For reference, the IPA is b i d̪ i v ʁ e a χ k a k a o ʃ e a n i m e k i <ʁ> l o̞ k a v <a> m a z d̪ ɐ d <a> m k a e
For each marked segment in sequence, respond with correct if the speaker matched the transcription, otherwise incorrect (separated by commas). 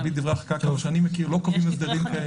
correct, incorrect, incorrect